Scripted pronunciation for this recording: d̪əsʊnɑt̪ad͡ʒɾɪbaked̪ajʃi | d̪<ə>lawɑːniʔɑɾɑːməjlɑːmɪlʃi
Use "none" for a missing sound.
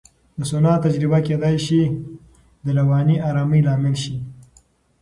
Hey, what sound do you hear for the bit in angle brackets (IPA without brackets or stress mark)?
ə